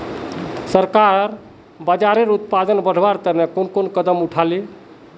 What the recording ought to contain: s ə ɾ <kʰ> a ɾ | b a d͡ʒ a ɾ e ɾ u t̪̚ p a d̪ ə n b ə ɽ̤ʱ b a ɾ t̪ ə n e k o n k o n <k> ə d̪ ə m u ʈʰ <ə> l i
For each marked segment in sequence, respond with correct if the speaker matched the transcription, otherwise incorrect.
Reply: incorrect: k, correct, incorrect: a

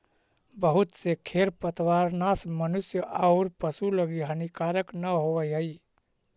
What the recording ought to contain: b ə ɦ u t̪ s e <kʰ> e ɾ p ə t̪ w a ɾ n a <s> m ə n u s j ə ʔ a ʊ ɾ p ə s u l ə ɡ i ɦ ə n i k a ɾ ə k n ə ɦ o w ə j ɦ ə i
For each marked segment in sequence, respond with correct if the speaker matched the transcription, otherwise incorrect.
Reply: correct, correct

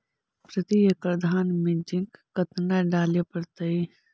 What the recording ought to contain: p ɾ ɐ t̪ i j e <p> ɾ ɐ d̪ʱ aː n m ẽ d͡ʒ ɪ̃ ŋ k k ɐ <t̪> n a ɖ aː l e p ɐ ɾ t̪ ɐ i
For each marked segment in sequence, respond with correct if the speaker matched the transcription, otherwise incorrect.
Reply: incorrect: k, correct

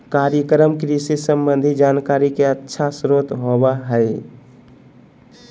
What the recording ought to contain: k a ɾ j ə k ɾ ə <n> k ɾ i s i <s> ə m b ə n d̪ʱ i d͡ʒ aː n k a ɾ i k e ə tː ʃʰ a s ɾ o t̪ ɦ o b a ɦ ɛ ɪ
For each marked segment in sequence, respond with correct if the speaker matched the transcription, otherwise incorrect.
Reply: incorrect: m, correct

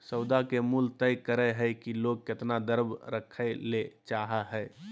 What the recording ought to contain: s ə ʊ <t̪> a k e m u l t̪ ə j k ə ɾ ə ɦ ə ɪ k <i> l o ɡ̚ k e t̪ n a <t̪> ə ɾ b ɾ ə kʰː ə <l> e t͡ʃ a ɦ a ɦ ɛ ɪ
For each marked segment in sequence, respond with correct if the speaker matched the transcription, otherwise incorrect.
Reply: incorrect: d̪, correct, incorrect: d̪, correct

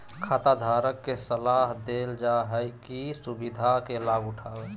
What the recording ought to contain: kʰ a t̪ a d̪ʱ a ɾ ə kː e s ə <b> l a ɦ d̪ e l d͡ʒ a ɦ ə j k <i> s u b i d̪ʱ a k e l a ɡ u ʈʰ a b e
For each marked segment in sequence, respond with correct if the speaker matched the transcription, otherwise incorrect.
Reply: incorrect: none, correct

